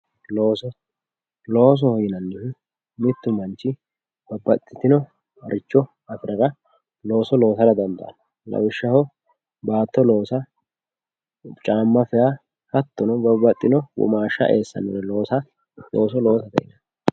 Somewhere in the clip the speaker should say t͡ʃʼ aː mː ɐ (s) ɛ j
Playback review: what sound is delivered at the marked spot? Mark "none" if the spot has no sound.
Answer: f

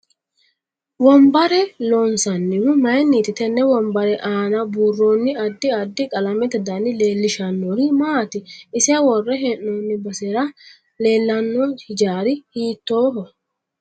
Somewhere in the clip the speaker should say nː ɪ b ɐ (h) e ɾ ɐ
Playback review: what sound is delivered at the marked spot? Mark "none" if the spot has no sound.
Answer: s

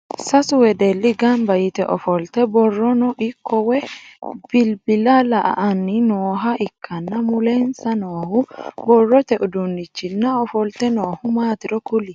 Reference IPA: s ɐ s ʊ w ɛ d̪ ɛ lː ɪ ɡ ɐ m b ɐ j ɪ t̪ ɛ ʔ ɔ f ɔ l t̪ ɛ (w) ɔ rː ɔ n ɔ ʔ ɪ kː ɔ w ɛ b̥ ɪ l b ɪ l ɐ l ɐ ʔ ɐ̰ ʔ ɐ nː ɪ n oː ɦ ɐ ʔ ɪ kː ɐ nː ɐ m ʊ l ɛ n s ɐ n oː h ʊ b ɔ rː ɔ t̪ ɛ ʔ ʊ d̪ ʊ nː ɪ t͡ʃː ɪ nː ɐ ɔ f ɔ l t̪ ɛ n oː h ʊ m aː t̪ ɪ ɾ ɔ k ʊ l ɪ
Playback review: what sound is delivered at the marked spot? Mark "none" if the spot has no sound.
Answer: b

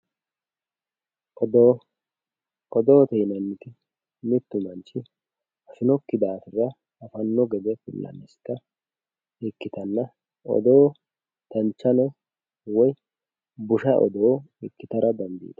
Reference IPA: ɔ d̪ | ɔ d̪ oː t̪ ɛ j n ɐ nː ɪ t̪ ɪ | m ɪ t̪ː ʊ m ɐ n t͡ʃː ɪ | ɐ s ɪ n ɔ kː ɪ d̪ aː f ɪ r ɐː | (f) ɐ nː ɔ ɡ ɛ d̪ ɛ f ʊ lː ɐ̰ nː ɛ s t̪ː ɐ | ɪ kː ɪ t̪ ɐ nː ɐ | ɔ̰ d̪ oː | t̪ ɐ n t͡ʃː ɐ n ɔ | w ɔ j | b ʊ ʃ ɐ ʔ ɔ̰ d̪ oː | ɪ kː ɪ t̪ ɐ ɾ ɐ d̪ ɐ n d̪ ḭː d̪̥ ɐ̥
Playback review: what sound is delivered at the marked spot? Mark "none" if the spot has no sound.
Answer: f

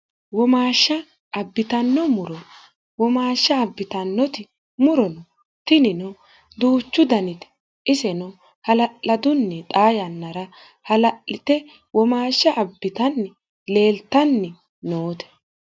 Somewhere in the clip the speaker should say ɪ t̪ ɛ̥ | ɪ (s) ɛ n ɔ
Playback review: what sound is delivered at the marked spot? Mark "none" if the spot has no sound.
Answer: s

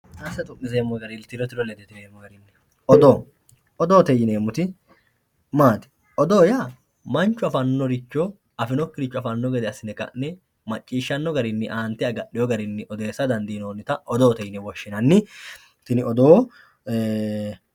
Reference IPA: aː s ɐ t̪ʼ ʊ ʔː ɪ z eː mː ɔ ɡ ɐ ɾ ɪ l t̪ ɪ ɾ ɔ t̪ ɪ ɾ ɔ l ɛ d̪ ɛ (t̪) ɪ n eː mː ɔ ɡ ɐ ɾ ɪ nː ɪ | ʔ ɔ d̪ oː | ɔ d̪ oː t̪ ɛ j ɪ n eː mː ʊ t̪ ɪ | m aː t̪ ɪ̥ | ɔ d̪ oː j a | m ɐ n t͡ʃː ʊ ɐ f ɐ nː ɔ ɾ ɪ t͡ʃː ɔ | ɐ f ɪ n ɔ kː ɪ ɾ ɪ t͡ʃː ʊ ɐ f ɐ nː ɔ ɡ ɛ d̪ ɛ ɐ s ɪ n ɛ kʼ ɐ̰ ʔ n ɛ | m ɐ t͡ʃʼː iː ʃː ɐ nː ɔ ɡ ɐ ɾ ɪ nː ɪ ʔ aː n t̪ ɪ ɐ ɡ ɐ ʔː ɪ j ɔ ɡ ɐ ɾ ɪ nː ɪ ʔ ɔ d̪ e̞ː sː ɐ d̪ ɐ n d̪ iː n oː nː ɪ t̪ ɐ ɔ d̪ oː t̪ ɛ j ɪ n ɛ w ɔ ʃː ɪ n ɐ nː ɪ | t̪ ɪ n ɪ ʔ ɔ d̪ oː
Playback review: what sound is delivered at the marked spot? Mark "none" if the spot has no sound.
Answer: t̪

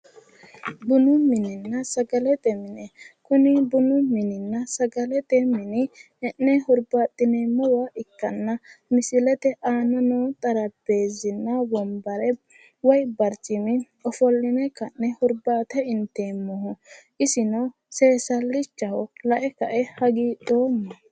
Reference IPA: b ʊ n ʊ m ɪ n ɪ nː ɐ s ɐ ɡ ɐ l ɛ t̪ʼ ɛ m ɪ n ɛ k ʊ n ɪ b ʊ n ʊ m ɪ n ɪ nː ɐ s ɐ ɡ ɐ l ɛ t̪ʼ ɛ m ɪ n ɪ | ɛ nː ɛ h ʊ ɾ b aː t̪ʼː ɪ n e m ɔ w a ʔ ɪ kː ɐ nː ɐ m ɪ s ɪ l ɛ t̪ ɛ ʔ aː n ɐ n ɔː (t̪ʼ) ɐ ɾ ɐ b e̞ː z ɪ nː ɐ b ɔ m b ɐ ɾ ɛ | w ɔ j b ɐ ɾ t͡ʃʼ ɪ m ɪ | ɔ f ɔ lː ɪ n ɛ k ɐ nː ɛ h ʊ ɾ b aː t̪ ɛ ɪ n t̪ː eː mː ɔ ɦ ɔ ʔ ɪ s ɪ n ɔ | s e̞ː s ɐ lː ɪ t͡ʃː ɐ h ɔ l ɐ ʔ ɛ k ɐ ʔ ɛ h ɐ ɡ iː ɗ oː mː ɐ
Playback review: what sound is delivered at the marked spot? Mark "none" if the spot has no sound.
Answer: t̪ʼ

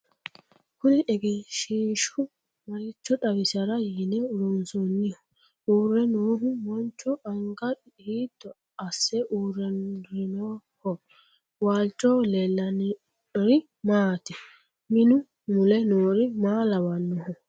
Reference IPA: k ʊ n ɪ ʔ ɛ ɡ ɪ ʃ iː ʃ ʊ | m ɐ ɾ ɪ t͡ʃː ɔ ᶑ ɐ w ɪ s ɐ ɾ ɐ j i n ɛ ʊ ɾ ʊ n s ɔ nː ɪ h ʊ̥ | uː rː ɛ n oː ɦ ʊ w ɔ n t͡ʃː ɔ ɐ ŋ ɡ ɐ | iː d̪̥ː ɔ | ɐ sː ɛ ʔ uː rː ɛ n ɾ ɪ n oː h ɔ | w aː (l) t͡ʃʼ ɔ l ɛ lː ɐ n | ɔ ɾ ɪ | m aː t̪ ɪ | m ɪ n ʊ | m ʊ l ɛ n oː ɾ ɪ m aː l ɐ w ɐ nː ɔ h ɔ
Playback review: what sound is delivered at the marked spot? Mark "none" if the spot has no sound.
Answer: l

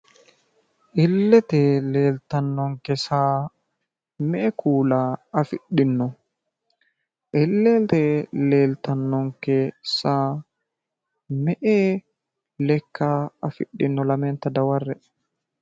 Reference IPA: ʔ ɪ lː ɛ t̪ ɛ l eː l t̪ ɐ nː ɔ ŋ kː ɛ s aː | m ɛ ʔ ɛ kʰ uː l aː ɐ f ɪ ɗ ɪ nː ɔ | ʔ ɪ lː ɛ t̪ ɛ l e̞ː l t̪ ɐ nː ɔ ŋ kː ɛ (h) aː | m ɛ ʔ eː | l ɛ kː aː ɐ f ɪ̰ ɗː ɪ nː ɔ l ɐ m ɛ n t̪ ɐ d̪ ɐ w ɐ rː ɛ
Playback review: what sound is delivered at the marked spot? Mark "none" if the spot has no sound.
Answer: s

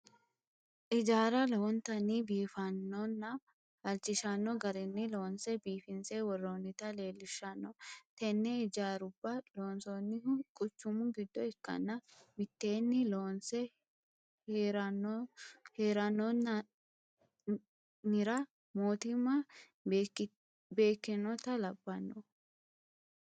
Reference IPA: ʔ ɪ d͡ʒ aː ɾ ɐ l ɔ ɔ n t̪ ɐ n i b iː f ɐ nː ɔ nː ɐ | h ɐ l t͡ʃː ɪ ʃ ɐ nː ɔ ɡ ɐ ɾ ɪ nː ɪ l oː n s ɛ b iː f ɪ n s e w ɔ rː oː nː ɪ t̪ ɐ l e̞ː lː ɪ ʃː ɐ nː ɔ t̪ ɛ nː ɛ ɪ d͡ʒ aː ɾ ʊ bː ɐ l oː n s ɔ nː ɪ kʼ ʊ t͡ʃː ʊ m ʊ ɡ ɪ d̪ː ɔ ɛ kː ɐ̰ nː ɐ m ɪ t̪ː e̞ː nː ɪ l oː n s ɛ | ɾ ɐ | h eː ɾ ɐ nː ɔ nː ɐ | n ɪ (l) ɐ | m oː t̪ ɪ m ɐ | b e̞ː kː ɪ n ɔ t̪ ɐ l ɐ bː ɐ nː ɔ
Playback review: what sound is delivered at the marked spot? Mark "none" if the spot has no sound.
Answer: ɾ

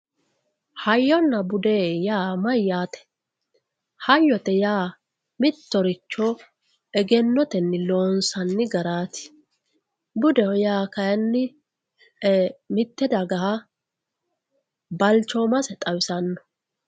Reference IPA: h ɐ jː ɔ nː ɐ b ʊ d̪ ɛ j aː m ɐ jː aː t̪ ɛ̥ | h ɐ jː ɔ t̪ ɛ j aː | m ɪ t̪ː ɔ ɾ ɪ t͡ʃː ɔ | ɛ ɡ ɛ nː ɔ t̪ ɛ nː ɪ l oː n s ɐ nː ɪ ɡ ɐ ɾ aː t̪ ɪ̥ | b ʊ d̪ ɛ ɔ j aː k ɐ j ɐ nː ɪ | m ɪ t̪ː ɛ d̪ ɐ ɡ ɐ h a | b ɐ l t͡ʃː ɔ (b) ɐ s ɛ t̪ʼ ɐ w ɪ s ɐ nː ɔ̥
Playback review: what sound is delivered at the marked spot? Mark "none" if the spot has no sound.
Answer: m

